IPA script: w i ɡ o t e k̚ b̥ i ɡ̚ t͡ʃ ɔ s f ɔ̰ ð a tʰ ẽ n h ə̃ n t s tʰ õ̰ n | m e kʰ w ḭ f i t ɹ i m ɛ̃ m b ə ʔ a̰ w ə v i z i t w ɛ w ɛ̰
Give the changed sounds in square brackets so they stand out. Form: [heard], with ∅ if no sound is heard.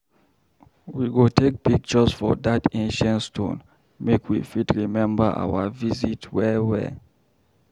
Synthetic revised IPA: w i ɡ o t e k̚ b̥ i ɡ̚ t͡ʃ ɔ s f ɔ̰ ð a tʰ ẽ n [ʃ] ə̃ n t s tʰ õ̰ n | m e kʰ w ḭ f i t ɹ i m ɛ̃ m b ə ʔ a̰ w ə v i z i t w ɛ w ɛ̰